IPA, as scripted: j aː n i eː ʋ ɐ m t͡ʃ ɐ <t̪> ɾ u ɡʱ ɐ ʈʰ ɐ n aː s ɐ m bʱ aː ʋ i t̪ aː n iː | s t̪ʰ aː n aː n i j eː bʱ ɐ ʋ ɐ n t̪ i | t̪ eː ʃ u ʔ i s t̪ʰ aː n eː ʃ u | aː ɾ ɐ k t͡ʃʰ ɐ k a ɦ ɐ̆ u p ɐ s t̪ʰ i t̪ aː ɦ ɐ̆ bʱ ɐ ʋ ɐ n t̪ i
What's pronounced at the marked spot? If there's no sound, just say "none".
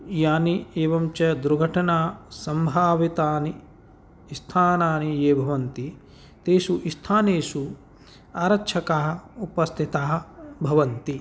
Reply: d̪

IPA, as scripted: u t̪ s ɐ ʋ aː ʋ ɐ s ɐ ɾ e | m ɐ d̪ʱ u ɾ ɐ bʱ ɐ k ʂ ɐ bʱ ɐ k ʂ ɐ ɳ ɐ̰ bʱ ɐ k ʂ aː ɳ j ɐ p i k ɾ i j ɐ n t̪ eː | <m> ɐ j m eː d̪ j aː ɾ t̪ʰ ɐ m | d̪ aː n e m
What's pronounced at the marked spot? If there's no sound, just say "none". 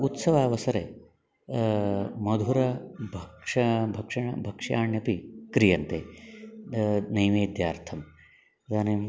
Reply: n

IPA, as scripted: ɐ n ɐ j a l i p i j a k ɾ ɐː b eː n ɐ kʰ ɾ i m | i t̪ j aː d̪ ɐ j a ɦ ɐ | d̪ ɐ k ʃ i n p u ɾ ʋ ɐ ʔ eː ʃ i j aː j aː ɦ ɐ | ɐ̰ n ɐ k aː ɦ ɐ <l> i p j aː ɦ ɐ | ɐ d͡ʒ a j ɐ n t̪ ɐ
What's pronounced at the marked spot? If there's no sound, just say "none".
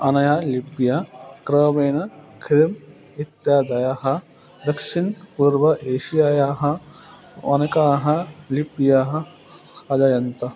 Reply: l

